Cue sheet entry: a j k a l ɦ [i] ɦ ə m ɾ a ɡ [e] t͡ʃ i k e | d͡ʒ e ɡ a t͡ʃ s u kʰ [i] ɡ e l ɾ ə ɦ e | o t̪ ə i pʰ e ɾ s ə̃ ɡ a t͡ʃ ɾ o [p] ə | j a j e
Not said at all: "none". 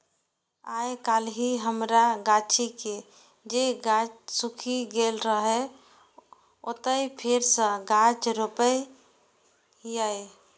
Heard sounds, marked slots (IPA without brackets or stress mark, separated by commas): i, a, i, p